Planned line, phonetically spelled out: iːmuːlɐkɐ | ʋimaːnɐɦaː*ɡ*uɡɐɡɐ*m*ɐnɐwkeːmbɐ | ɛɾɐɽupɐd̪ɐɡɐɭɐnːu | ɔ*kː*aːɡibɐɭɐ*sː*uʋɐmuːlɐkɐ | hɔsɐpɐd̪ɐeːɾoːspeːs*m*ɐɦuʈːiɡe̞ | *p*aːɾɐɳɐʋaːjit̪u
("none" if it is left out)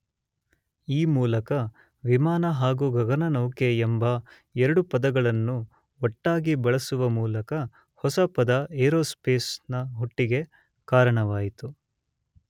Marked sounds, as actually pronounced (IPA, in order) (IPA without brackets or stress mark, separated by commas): ɡ, n, ʈː, s, n, k